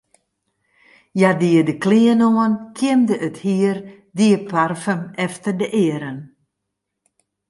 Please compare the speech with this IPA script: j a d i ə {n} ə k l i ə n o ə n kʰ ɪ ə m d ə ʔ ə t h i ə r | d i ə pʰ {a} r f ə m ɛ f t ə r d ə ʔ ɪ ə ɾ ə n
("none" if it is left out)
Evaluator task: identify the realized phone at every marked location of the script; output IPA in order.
d, a

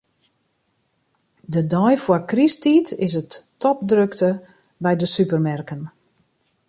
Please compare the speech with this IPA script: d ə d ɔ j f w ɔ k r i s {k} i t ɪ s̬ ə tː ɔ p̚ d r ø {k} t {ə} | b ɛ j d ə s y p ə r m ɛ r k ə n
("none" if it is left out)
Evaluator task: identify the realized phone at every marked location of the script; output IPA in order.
t, k, ə

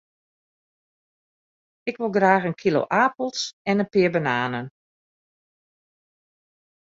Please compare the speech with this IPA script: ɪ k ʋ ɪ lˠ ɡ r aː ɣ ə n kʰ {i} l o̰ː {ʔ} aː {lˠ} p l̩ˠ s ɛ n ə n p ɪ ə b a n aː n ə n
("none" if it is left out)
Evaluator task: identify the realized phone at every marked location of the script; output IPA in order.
i, ʔ, none

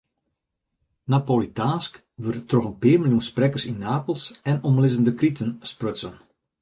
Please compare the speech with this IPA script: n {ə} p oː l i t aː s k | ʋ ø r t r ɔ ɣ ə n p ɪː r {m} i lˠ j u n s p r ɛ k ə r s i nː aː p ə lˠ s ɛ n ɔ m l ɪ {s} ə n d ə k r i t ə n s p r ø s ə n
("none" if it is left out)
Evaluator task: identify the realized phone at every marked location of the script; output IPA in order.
a, m, z

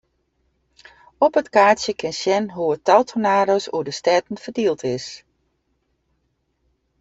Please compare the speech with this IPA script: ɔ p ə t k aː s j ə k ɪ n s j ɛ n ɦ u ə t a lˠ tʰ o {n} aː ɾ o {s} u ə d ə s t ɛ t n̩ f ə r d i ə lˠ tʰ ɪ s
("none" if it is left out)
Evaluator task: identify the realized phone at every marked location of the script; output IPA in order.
n, s

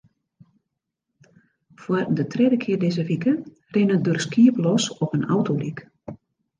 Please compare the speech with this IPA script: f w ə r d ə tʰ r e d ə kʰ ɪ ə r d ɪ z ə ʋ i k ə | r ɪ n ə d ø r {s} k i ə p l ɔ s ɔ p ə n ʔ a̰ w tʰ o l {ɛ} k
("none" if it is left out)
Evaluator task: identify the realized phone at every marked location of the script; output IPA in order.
s, i

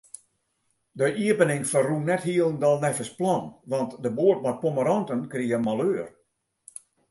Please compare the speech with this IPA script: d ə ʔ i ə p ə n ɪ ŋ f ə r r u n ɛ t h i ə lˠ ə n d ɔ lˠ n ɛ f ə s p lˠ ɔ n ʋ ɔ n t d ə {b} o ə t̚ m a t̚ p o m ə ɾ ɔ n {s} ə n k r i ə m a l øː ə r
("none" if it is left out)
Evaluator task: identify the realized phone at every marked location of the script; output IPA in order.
b, t

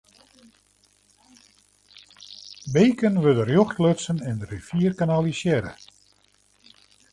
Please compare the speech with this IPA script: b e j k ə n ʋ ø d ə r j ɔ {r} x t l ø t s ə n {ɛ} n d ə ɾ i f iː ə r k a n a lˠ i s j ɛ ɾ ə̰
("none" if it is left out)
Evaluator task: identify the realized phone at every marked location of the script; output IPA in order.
none, ɛ

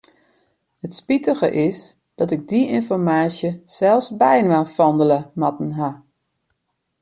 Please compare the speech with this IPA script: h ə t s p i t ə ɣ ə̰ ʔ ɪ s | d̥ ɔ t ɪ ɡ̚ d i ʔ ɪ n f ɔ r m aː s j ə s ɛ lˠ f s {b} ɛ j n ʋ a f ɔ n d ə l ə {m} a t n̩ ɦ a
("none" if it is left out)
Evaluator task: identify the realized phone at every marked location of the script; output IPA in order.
b, m

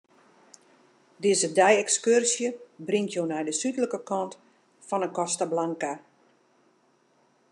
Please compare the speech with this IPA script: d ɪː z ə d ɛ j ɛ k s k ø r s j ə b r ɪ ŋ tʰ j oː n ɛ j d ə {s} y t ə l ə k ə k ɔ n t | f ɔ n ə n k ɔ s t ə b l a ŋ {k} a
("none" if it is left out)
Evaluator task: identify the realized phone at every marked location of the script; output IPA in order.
s, k

